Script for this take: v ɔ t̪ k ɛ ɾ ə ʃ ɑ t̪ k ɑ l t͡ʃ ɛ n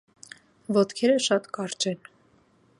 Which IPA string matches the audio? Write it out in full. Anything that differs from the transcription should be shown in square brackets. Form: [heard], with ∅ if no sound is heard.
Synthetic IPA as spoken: v ɔ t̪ [kʰ] ɛ ɾ ə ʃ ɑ t̪ k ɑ [ɾ] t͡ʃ ɛ n